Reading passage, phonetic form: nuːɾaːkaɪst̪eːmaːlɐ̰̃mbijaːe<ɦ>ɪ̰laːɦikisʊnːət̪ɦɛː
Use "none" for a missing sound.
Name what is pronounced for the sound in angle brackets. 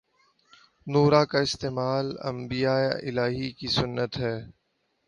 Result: none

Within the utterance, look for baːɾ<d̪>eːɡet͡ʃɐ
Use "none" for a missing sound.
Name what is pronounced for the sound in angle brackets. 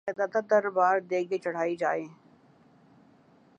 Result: d̪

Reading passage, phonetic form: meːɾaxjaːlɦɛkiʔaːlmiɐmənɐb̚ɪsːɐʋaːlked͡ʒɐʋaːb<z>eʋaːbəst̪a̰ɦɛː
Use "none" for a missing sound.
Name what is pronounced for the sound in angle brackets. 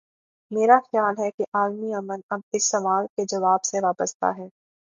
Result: s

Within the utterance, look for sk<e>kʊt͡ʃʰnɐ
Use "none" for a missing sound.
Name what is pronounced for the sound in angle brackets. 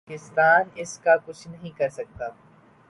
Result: a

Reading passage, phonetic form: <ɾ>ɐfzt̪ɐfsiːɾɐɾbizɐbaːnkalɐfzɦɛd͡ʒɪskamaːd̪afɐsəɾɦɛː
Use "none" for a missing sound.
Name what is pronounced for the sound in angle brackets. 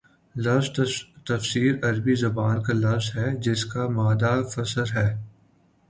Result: l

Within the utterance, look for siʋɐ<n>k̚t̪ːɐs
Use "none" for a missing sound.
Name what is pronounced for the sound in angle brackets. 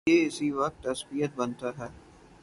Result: none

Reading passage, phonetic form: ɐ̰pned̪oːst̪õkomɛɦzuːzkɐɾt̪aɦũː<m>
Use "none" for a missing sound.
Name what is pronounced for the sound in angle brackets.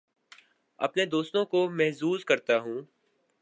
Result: none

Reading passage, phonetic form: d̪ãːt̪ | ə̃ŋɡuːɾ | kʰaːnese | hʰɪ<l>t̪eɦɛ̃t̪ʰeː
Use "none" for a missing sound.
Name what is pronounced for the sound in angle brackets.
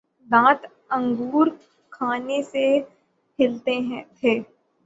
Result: l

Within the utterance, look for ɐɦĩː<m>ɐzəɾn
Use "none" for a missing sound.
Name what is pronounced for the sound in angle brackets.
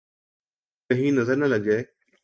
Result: n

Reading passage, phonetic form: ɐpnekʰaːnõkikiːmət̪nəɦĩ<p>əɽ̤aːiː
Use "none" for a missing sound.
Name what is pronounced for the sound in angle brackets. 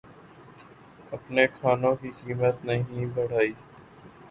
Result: b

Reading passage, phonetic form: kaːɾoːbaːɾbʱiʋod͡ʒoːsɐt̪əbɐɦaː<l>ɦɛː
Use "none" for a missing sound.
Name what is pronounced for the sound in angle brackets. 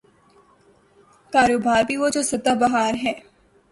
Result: ɾ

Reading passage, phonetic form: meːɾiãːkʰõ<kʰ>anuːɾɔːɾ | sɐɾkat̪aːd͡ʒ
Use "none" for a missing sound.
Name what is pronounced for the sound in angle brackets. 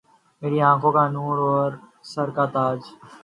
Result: k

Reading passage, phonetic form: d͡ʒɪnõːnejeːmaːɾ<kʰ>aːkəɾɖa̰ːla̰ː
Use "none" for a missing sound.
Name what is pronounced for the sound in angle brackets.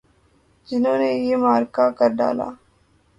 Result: k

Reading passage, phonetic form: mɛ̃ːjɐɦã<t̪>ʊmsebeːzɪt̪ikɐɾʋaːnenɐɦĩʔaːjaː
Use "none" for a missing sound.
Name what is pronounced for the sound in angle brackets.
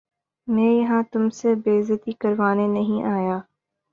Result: t̪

